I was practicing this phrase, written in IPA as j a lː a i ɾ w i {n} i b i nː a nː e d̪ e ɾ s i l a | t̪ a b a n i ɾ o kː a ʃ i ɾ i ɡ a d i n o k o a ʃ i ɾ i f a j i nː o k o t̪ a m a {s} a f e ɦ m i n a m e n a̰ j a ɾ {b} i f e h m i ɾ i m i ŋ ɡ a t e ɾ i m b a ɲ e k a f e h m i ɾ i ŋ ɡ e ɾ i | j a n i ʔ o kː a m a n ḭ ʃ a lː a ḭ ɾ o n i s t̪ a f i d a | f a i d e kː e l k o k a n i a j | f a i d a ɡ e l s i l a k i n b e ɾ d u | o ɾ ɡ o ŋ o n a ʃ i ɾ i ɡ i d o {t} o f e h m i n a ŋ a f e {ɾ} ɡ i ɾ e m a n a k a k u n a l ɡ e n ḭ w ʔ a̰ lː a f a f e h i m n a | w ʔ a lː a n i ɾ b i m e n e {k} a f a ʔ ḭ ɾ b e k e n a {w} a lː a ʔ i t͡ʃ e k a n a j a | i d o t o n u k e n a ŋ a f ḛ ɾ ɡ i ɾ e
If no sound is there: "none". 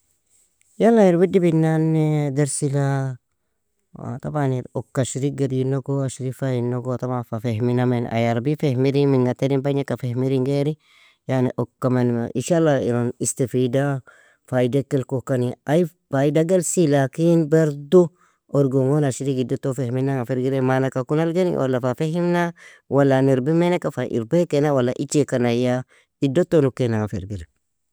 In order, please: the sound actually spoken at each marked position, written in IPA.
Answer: d, f, b, t, ɾ, k, w

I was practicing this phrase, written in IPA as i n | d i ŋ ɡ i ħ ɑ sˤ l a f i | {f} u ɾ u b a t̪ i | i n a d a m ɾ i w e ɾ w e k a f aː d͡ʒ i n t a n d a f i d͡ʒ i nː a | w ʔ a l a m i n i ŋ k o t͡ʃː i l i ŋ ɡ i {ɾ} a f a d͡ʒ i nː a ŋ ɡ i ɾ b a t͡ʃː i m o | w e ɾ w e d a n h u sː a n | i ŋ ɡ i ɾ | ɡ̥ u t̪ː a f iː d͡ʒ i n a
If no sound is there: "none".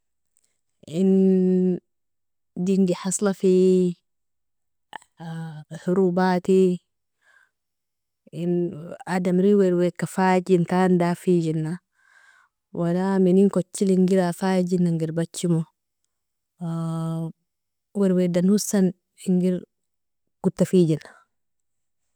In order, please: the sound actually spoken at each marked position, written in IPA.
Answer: h, ɾ

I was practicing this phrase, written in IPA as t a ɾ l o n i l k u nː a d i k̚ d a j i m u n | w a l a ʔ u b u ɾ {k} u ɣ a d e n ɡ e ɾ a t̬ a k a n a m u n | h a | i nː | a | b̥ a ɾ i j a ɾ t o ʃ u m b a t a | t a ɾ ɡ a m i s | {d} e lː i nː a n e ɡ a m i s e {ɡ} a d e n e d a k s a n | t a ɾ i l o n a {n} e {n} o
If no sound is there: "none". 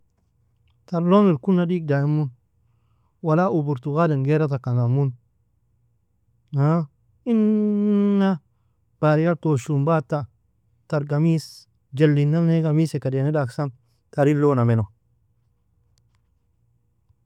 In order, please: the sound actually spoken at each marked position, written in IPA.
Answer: t, d͡ʒ, k, m, n

